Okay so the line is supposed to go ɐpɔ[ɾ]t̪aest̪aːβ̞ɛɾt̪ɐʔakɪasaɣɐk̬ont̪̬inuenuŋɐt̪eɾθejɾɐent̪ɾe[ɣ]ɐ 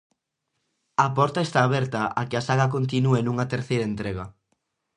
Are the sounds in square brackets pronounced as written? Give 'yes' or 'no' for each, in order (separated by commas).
yes, yes